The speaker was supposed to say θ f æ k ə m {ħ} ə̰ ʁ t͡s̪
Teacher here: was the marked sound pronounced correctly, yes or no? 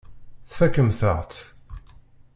no